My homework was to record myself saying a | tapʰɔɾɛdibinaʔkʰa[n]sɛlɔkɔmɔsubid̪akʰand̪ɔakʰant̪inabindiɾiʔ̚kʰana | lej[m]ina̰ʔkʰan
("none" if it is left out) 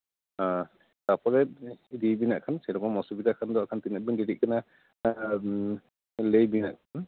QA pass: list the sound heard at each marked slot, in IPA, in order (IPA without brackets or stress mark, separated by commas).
n, b